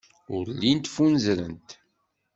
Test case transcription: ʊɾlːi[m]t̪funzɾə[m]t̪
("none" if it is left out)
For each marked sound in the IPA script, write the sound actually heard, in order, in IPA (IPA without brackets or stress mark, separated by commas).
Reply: n, n